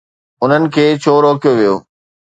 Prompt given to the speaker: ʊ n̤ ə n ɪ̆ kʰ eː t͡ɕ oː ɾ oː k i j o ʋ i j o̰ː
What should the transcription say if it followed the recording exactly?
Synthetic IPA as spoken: ʊ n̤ ə n ɪ̆ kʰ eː t͡ɕʰ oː ɾ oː k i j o ʋ i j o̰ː